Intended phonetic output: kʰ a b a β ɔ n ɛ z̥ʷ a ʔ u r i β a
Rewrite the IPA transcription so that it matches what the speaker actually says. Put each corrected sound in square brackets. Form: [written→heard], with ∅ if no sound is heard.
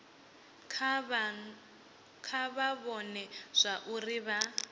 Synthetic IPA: kʰ a [b→β] a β ɔ n ɛ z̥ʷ a ʔ u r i β a